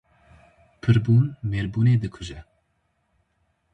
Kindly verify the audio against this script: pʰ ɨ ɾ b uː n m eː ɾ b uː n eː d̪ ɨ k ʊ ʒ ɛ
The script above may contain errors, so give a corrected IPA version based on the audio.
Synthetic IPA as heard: pʰ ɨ ɾ b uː n m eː ɾ b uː n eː d̪ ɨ kʰ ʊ ʒ ɛ

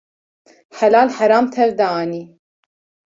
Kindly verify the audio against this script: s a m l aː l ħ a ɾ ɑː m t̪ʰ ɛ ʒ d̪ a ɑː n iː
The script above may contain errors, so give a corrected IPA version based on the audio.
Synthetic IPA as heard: ħ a l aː l ħ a ɾ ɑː m t̪ʰ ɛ v d̪ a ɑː n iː

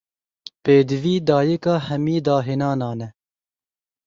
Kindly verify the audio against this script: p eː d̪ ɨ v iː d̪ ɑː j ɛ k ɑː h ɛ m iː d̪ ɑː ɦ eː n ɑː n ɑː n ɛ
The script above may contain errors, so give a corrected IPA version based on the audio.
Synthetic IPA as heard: p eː d̪ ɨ v iː d̪ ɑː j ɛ k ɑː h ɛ m iː d̪ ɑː ɦ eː n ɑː n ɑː n ɛ

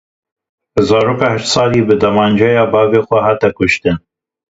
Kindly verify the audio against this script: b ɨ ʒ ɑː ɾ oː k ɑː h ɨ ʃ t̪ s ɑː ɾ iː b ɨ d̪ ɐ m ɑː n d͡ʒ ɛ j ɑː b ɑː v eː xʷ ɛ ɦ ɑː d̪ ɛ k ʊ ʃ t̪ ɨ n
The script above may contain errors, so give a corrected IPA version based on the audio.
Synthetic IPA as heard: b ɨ z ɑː ɾ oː k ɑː h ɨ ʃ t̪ s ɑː l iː b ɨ d̪ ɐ m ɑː n d͡ʒ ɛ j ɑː b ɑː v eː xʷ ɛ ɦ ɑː t̪ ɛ k ʊ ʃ t̪ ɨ n

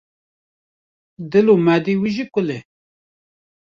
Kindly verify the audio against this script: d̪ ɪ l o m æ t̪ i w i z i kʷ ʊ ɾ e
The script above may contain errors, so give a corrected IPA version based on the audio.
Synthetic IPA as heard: d̪ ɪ l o m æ d̪ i w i ʒ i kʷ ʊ l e

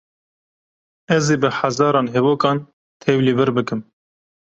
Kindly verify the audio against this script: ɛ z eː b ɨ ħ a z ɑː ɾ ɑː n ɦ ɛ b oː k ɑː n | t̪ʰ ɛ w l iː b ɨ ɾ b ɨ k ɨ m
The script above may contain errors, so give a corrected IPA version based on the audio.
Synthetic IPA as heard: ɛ z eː b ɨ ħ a z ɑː ɾ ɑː n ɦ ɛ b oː k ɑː n | t̪ʰ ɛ w l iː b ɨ ɾ b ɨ k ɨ m

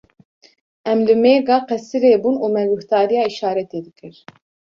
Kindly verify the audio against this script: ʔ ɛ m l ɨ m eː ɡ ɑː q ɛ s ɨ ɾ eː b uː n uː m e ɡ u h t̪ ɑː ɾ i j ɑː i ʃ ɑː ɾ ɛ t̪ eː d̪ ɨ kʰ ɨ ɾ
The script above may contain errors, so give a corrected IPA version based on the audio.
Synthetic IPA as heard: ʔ ɛ m l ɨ m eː ɡ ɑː q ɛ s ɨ ɾ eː b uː n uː m ɛ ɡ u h t̪ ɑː ɾ i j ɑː i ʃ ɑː ɾ ɛ t̪ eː d̪ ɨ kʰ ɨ ɾ

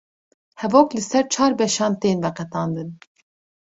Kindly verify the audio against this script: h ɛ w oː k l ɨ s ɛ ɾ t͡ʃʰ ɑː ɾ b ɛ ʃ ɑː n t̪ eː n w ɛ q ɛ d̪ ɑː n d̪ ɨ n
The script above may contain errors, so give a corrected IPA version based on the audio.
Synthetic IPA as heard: h ɛ v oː k l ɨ s ɛ ɾ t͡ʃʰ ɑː ɾ b ɛ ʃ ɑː n t̪ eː n v ɛ q ɛ t̪ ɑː n d̪ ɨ n

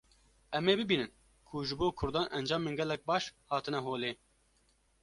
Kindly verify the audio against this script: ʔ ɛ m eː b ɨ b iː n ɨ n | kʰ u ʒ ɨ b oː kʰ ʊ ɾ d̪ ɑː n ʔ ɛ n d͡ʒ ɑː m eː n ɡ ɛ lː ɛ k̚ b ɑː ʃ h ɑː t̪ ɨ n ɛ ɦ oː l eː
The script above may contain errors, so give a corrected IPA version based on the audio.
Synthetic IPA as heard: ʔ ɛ m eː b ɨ b iː n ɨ n | kʰ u ʒ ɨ b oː kʰ ʊ ɾ d̪ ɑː n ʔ ɛ n d͡ʒ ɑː m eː n ɡ ɛ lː ɛ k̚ b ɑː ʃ h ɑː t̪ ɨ n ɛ ɦ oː l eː

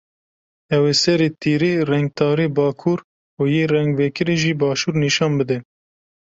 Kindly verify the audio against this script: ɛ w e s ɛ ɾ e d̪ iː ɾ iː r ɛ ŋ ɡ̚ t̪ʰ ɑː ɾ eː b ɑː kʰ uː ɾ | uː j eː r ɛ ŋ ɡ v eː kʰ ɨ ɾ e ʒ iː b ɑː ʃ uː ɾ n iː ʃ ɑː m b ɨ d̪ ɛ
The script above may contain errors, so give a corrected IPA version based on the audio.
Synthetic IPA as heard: ɛ w e s ɛ ɾ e t̪ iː ɾ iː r ɛ ŋ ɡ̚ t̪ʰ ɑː ɾ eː b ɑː kʰ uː ɾ | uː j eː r ɛ ŋ ɡ v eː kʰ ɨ ɾ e ʒ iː b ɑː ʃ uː ɾ n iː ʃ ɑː n b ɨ d̪ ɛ

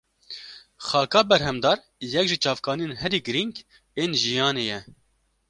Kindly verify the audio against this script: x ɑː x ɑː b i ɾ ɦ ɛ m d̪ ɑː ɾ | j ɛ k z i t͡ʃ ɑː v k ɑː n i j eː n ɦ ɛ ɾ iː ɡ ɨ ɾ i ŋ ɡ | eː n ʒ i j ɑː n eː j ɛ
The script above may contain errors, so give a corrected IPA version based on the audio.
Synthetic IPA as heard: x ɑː k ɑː b ɛ ɾ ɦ ɛ m d̪ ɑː ɾ | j ɛ k ʒ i t͡ʃ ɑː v k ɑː n i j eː n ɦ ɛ ɾ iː ɡ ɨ ɾ i ŋ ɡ | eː n ʒ i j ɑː n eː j ɛ

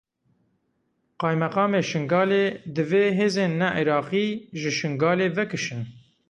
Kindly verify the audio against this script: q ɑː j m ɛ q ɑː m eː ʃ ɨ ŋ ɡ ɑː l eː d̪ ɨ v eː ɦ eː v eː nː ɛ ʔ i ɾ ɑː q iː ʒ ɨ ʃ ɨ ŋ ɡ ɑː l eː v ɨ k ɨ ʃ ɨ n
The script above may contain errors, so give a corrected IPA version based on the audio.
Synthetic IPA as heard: q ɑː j m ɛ q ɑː m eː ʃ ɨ ŋ ɡ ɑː l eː d̪ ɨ v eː ɦ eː z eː nː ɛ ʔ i ɾ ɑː q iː ʒ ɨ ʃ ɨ ŋ ɡ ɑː l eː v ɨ k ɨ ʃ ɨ n

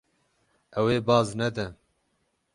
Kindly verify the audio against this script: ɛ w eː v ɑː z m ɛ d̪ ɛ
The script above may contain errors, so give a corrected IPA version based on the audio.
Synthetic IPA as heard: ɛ w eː b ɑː z n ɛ d̪ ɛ

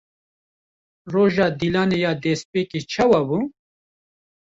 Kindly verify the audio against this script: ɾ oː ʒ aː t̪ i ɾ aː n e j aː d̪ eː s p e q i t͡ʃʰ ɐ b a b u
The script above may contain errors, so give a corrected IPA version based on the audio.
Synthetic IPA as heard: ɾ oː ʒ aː d̪ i l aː n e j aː d̪ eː s p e k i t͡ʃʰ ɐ w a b u

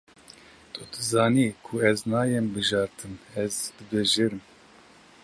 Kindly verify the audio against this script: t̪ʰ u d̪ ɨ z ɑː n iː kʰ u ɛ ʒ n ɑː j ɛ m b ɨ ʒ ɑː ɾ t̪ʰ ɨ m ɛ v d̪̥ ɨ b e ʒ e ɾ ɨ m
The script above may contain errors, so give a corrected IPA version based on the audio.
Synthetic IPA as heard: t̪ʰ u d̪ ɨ z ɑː n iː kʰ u ɛ z n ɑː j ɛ m b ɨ ʒ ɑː ɾ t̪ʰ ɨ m ɛ z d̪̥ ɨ b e ʒ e ɾ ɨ m

